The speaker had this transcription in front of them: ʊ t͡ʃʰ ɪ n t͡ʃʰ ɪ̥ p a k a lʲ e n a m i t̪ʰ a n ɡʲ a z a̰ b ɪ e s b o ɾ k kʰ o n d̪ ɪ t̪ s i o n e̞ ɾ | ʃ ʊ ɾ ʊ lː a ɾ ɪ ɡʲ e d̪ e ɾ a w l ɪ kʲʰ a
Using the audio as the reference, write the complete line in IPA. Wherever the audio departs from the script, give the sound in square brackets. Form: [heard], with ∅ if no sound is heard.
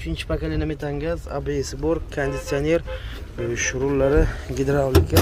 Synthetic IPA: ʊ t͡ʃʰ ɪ n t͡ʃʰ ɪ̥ p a k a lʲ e n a m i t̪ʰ a [ŋ] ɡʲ a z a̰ b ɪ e s b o ɾ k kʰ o n d̪ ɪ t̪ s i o n e̞ ɾ | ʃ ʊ ɾ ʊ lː a ɾ ɪ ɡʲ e d̪ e ɾ a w l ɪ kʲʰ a

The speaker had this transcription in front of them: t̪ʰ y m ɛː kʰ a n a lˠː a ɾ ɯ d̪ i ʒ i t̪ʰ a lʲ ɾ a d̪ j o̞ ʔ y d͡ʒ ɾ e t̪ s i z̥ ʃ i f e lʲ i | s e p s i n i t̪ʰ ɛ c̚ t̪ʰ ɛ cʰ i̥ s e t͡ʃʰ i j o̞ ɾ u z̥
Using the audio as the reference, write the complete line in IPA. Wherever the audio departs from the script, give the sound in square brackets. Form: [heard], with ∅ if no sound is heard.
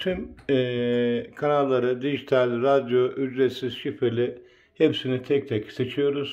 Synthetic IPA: t̪ʰ y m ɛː kʰ a n a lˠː a ɾ ɯ d̪ i ʒ i t̪ʰ a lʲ ɾ a d̪ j o̞ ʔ y d͡ʒ ɾ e t̪ s i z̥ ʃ i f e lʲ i | [h] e p s i n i t̪ʰ ɛ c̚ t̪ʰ ɛ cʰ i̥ s e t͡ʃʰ i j o̞ ɾ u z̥

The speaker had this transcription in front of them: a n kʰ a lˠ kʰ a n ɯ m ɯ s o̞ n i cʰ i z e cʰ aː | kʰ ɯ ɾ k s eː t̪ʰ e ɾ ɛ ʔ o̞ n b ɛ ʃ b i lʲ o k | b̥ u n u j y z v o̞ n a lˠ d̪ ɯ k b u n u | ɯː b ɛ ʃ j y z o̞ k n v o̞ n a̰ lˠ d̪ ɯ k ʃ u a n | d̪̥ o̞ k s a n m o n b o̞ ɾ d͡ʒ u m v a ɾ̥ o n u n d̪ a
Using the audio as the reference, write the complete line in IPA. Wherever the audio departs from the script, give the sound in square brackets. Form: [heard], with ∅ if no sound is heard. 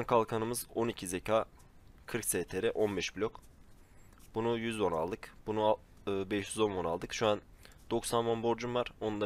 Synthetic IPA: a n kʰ a lˠ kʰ a n ɯ m ɯ [z] o̞ n i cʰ i z e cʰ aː | kʰ ɯ ɾ k s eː t̪ʰ e ɾ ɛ ʔ o̞ n b ɛ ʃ b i lʲ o k | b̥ u n u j y z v o̞ n a lˠ d̪ ɯ k b u n u | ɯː b ɛ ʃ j y z o̞ [∅] n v o̞ n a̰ lˠ d̪ ɯ k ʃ u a n | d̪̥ o̞ k s a n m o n b o̞ ɾ d͡ʒ u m v a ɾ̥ o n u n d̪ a

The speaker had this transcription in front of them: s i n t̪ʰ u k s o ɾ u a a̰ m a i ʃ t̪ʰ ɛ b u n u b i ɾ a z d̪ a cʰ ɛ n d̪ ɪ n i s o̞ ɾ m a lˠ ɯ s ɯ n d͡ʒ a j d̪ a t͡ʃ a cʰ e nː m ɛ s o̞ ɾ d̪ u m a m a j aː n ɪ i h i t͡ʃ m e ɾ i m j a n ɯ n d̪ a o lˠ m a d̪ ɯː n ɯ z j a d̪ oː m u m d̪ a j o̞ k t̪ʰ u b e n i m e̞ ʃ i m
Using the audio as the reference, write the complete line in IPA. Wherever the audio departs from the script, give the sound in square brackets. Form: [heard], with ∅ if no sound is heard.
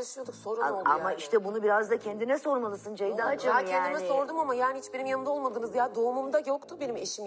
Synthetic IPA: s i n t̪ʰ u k s o ɾ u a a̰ m a i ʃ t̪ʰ ɛ b u n u b i ɾ a z d̪ a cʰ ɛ n d̪ [i] n [ɛ] s o̞ ɾ m a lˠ ɯ s ɯ n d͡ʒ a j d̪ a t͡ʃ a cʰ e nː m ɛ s o̞ ɾ d̪ u m a m a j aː n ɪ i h i t͡ʃ [b] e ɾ i m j a n ɯ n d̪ a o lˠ m a d̪ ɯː n ɯ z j a d̪ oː m u m d̪ a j o̞ k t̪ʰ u b e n i m e̞ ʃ i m

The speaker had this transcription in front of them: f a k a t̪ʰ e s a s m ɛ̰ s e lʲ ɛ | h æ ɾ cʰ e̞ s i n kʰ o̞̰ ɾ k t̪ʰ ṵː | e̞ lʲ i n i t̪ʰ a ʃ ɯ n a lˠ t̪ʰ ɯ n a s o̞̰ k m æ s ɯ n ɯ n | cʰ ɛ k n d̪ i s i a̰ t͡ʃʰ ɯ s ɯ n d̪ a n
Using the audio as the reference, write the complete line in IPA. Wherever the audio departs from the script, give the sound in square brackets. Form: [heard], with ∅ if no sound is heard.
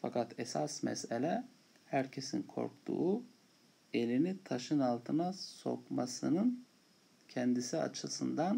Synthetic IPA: f a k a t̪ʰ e s a s m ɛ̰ s e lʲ ɛ | h æ ɾ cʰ e̞ s i n kʰ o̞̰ ɾ k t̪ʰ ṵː | e̞ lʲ i n i t̪ʰ a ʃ ɯ n a lˠ t̪ʰ ɯ n a s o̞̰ k m [a] s ɯ n ɯ n | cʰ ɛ [∅] n d̪ i s i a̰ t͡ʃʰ ɯ s ɯ n d̪ a n

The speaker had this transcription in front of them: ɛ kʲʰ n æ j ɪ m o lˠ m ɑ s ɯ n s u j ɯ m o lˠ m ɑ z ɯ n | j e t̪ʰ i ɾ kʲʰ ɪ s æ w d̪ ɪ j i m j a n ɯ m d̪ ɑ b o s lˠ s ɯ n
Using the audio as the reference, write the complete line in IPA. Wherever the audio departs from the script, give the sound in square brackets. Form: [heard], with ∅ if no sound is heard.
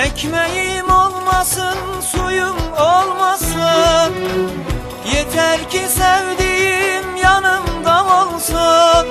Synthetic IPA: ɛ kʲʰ [m] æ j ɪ m o lˠ m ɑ s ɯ n s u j [u] m o lˠ m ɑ [s] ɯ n | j e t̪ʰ [æ] ɾ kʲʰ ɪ s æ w d̪ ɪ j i m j [ɑ] n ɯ m d̪ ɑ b o [∅] lˠ s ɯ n

